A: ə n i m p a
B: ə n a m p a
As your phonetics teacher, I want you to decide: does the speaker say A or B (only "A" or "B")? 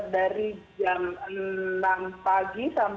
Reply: B